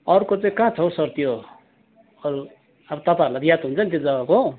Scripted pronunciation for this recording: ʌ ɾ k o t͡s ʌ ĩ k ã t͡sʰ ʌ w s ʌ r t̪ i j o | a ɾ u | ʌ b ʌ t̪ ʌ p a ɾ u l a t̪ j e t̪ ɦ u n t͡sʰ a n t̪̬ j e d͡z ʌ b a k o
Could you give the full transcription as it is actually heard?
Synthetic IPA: ʌ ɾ k o t͡s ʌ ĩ k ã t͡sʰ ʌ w s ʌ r t̪ i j o | ʌ ɾ u | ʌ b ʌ t̪ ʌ p a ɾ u l a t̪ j a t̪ ɦ u n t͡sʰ ʌ n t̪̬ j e d͡z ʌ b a k o